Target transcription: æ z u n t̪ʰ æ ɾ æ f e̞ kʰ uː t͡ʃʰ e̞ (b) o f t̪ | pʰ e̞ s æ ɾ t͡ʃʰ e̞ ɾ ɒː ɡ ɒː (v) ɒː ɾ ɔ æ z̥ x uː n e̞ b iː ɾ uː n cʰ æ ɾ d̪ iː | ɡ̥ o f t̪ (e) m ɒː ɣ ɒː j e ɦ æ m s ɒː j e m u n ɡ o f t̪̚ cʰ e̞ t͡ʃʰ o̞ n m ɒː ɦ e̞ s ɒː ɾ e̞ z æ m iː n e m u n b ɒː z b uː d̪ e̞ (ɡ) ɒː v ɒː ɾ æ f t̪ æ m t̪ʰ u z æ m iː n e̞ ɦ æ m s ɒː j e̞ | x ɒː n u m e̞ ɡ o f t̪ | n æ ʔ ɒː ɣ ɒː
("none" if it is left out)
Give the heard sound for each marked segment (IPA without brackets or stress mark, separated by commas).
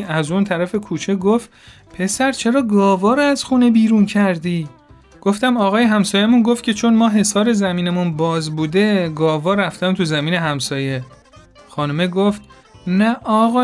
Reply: ɡ, v, æ, ɡ